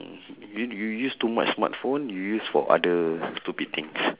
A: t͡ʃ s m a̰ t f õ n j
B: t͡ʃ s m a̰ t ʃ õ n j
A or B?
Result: A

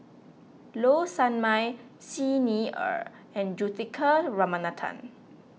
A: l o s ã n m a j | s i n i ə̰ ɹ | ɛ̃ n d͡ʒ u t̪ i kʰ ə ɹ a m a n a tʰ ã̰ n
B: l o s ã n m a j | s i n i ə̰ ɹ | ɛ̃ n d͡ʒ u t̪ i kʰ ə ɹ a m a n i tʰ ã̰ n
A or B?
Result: A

